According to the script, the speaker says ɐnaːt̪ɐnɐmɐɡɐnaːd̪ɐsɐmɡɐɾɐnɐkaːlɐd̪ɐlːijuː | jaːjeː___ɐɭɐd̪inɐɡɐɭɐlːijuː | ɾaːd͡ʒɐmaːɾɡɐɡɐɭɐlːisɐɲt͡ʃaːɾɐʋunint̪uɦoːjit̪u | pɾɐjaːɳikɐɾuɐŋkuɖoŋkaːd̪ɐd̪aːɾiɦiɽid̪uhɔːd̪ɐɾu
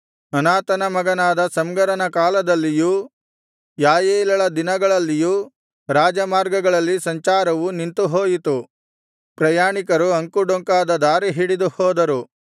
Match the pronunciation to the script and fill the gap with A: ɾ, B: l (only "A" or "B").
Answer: B